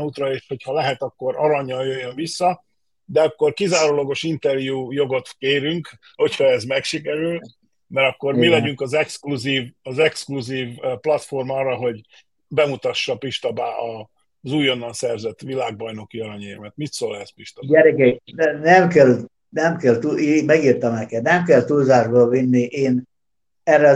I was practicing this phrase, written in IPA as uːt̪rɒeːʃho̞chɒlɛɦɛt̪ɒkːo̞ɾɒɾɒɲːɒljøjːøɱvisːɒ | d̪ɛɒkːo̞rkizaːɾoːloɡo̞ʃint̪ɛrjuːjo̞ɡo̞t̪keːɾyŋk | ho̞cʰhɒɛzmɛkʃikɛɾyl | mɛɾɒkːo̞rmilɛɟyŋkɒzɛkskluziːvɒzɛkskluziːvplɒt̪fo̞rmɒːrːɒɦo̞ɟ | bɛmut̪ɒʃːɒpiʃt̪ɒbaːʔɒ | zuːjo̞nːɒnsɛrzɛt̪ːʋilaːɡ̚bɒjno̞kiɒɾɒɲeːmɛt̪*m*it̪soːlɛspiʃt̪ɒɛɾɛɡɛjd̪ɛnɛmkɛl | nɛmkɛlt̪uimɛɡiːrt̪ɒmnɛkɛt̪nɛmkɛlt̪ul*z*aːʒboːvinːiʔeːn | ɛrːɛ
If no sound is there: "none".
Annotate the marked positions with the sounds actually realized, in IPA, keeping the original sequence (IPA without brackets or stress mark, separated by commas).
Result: m, z